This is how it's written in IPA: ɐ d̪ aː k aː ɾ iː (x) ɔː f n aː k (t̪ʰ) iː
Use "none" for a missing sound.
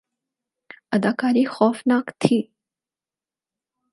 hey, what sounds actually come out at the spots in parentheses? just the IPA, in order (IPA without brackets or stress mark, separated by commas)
x, t̪ʰ